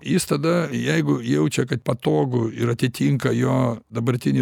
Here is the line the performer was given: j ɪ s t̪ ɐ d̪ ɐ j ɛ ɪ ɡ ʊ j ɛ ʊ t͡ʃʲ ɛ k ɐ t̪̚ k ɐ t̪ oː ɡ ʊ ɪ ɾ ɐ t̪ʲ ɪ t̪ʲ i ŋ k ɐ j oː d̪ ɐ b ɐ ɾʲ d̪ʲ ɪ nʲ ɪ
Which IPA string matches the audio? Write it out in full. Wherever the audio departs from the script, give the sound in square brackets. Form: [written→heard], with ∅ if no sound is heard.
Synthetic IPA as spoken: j ɪ s t̪ ɐ d̪ ɐ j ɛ ɪ ɡ ʊ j ɛ ʊ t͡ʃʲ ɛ k ɐ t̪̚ [k→p] ɐ t̪ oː ɡ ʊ ɪ ɾ ɐ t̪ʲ ɪ t̪ʲ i ŋ k ɐ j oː d̪ ɐ b ɐ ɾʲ [d̪ʲ→t̪ʲ] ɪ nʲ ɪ